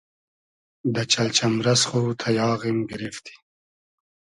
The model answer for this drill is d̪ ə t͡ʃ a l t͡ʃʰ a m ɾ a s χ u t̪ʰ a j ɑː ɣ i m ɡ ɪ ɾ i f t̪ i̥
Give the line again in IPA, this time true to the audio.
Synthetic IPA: d̪ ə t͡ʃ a l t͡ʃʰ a m ɾ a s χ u t̪ʰ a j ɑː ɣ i m ɡ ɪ ɾ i f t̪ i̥

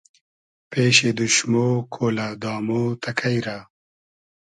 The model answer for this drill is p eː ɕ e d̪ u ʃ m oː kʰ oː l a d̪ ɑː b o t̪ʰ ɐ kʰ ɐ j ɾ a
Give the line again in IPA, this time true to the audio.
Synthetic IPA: p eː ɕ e d̪ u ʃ m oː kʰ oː l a d̪ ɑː m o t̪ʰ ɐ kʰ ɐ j ɾ a

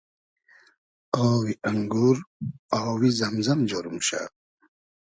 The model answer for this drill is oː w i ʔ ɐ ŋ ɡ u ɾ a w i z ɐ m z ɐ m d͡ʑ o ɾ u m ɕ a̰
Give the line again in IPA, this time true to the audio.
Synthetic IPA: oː w i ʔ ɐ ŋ ɡ u ɾ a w i z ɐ m z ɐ m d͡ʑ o ɾ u m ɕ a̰

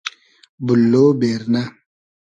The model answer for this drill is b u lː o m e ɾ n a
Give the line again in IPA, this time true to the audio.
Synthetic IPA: b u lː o b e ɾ n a

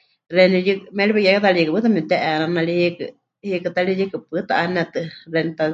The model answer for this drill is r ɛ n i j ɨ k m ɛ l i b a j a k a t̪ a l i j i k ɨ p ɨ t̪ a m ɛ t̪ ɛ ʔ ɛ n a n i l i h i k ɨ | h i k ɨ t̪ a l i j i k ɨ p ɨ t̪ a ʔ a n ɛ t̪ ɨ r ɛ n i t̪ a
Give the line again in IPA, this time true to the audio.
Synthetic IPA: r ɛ n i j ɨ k m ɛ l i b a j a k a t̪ a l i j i k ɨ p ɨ t̪ a m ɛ t̪ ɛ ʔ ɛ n a n a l i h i k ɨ | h i k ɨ t̪ a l i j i k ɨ p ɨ t̪ a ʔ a n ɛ t̪ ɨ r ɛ n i t̪ a

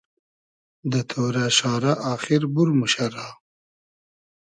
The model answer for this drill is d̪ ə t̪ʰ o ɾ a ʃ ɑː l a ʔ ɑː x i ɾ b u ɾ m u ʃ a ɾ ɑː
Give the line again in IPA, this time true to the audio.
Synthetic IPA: d̪ ə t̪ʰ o ɾ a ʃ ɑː ɾ a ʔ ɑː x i ɾ b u ɾ m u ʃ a ɾ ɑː

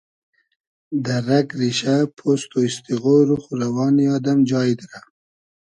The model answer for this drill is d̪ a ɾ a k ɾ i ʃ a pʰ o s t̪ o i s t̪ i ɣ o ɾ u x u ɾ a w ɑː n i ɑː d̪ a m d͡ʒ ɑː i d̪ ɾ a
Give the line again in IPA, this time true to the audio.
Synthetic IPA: d̪ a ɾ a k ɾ i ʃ a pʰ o s t̪ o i s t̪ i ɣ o ɾ u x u ɾ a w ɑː n i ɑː d̪ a m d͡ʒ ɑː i d̪ ɾ a

